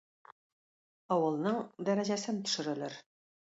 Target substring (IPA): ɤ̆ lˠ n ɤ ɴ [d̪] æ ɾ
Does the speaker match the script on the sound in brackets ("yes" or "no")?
yes